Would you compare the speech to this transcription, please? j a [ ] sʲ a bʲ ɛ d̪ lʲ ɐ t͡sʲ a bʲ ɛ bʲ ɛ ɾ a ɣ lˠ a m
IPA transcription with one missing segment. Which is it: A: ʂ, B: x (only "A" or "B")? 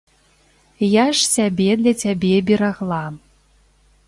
A